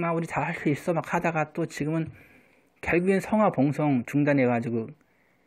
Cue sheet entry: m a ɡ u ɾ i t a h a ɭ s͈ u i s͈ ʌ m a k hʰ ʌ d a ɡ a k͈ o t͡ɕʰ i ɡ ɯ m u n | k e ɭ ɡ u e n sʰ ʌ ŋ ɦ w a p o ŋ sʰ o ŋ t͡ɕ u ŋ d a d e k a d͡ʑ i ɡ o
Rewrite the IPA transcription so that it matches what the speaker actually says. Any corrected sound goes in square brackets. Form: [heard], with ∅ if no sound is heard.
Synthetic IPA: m a [∅] u ɾ i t a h a ɭ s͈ u i s͈ ʌ m a k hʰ [a] d a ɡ a [t͈] o [t͡ɕ] i ɡ ɯ m [ɯ] n | k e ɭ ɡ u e n sʰ ʌ ŋ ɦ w a p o ŋ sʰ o ŋ t͡ɕ u ŋ d a [n] e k a d͡ʑ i ɡ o

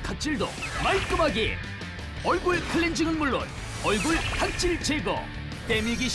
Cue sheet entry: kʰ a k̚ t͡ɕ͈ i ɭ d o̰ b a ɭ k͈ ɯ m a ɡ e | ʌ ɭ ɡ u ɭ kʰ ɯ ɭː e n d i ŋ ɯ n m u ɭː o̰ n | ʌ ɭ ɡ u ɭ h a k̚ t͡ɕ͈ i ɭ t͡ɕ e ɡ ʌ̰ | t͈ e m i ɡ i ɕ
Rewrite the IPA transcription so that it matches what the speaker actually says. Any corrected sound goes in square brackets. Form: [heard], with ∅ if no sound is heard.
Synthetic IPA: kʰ a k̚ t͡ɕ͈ i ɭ d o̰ [m] a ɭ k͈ ɯ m a ɡ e | ʌ ɭ ɡ u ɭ kʰ ɯ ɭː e n [d͡ʑ] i ŋ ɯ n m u ɭː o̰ n | ʌ ɭ ɡ u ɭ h a k̚ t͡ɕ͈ i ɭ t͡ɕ e ɡ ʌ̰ | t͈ e m i ɡ i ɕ

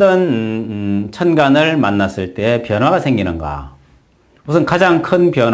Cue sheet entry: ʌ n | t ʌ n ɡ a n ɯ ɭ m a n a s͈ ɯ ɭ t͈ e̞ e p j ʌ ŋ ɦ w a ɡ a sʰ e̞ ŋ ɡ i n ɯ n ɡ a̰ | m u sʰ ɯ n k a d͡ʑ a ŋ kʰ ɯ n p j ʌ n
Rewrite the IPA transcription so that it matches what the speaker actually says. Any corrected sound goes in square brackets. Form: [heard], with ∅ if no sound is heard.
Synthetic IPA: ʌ n | [t͡ɕʰ] ʌ n ɡ a n ɯ ɭ m a [nː] a s͈ ɯ ɭ t͈ e̞ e p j ʌ [n] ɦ w a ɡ a sʰ e̞ ŋ ɡ i n ɯ n ɡ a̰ | m u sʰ ɯ n k a d͡ʑ a ŋ kʰ ɯ n p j ʌ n

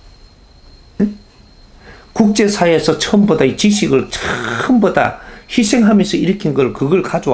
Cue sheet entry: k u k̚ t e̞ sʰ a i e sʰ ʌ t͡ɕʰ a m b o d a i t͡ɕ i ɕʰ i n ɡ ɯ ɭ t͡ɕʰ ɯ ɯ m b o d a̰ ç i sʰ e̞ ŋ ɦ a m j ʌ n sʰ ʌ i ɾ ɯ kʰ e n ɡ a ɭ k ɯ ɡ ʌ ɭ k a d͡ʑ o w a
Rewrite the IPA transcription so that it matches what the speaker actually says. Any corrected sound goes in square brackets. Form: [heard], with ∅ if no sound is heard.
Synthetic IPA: k u k̚ [t͡ɕ͈] e̞ sʰ a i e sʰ ʌ t͡ɕʰ [ʌ] m b o d a i t͡ɕ i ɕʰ i [∅] ɡ ɯ ɭ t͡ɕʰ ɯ ɯ m b o d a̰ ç i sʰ e̞ ŋ ɦ a m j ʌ n sʰ ʌ i ɾ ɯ kʰ [i] n ɡ [ʌ] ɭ k ɯ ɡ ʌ ɭ k a d͡ʑ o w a

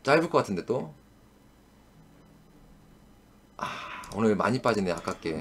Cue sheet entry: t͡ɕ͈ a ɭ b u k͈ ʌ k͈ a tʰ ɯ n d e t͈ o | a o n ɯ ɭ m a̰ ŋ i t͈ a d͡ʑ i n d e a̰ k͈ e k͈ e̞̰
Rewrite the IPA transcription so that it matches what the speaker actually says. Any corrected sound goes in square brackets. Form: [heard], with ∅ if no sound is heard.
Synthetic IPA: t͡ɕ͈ a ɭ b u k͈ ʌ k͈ a tʰ ɯ n d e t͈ o | a o n ɯ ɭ m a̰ [ɲ] i [p͈] a d͡ʑ i n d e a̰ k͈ [a] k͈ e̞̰

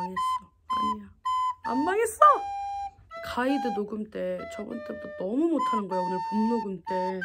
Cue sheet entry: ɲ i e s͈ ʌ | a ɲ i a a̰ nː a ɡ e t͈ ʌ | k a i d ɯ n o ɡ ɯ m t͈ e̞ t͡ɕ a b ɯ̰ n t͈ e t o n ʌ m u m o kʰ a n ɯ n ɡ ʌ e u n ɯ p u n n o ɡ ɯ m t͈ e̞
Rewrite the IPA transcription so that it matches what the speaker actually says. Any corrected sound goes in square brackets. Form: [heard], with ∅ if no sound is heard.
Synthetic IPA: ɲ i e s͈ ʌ | a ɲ i a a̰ [mː] a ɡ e [s͈] ʌ | k a i d ɯ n o ɡ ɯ m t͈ e̞ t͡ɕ [ʌ] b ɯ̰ n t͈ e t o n ʌ m u m o [tʰ] a n ɯ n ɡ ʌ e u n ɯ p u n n o ɡ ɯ m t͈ e̞

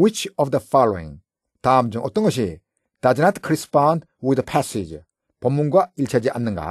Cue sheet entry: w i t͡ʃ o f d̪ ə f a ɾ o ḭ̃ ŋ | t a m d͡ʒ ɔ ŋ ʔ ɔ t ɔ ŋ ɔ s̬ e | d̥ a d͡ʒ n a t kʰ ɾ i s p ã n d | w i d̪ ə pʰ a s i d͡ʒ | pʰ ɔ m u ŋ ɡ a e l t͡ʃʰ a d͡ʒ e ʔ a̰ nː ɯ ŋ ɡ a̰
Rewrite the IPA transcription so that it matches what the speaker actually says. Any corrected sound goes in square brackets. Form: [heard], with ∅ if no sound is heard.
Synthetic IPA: w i t͡ʃ [ɔ] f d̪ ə f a [l] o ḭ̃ ŋ | t a m d͡ʒ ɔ ŋ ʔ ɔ t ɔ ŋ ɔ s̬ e | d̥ a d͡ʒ n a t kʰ ɾ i s p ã n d | w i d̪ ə pʰ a s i d͡ʒ | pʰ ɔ m u ŋ ɡ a [i] l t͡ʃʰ a d͡ʒ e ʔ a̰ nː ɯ ŋ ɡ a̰

